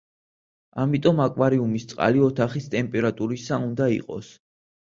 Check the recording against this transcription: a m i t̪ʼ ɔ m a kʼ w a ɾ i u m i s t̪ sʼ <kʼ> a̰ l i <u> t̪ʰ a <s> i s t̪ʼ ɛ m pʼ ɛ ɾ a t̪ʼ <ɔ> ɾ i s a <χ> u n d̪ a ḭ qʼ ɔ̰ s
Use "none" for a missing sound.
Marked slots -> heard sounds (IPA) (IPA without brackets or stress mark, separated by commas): qʼ, ɔ, χ, u, none